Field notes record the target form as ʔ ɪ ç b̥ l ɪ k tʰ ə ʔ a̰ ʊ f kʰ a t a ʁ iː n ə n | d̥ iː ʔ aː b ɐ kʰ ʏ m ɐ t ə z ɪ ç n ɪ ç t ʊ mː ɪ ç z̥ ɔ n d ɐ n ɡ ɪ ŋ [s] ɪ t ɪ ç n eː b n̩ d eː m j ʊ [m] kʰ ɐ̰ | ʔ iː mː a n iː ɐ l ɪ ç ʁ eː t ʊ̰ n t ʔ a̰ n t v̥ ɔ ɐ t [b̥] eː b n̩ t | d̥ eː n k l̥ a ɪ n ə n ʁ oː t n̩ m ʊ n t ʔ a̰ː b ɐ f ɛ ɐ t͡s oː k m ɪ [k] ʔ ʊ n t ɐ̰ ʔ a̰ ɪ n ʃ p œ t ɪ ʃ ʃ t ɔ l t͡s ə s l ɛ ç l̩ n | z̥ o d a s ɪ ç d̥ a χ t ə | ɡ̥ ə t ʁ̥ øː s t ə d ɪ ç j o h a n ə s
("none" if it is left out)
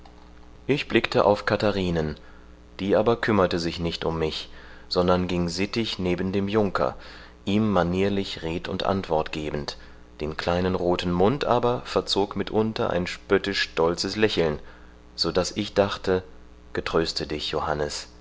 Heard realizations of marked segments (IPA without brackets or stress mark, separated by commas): z, ŋ, ɡ̥, t